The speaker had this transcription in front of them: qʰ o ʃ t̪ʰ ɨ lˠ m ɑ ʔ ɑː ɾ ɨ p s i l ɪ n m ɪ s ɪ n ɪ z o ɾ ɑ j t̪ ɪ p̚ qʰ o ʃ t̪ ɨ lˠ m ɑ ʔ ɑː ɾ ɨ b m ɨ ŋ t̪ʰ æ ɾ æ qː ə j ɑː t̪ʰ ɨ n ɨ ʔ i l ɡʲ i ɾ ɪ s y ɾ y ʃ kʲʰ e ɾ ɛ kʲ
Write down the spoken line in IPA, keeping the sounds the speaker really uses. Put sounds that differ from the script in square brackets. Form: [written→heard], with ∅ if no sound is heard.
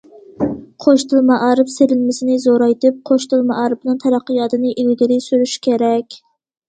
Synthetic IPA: qʰ o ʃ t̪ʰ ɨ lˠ m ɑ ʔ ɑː ɾ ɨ p s [i→e] l ɪ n m ɪ s ɪ n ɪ z o ɾ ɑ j t̪ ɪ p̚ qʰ o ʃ t̪ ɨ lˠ m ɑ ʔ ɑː ɾ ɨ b [m→n] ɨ ŋ t̪ʰ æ ɾ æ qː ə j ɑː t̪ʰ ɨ n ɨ ʔ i l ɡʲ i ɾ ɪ s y ɾ y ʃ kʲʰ e ɾ ɛ kʲ